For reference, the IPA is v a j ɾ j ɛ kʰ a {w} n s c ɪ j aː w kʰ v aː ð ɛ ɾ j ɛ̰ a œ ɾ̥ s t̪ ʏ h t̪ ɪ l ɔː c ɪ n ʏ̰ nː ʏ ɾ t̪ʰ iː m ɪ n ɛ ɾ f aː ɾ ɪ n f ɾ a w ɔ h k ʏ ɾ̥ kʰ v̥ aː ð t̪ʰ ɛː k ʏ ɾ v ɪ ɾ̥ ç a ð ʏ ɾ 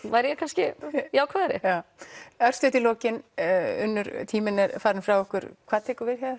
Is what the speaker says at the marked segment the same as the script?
no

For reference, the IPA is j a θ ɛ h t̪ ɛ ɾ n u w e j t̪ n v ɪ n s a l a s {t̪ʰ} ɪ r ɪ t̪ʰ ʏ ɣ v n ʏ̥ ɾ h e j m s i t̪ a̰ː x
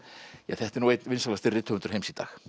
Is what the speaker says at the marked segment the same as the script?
no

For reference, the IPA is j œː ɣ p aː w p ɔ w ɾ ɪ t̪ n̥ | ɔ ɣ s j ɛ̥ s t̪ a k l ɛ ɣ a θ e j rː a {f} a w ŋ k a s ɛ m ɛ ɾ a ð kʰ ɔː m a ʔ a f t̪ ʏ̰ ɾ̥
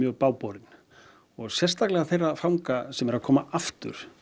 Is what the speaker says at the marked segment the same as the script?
yes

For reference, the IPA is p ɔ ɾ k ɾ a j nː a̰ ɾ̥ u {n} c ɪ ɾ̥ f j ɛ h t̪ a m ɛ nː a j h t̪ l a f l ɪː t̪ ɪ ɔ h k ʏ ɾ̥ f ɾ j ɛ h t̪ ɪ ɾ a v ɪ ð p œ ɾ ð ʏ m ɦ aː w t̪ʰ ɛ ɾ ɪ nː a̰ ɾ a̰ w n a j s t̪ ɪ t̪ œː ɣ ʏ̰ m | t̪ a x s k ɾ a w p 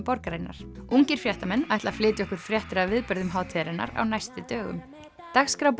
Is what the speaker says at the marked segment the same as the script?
no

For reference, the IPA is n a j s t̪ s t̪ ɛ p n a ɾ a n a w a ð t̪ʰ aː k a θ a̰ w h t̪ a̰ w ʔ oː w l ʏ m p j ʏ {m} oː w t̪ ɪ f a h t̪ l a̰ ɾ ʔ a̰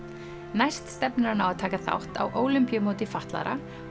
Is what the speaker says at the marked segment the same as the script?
yes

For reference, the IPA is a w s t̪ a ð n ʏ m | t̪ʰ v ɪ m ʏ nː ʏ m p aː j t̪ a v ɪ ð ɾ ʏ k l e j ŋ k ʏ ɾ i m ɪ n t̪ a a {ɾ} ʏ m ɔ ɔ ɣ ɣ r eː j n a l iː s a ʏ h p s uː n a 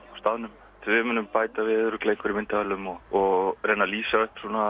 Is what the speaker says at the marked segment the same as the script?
no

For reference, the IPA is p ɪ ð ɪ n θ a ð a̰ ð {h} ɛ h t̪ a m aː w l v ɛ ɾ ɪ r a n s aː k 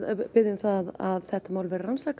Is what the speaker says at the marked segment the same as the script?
no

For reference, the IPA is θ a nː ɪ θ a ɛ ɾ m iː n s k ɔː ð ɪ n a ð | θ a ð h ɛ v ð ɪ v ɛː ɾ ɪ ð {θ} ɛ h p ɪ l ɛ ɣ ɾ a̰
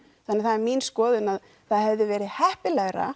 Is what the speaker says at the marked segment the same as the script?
no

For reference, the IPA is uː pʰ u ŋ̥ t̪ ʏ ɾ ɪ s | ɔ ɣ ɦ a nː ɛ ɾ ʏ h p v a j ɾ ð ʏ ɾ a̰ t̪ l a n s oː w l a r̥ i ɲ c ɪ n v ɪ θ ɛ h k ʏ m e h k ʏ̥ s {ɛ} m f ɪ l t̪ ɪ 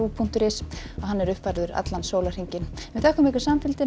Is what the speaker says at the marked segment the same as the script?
no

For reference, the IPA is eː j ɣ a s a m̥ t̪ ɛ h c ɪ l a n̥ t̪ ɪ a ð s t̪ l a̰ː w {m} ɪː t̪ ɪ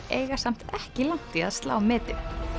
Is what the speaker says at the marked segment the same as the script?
yes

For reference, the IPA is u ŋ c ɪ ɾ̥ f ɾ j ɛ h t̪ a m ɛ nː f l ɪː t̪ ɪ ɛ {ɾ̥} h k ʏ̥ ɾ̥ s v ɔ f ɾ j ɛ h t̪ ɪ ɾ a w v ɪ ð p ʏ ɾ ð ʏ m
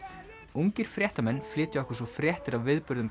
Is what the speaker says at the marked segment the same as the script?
no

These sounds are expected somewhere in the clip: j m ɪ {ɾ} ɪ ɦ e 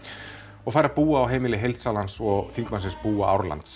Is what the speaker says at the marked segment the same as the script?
no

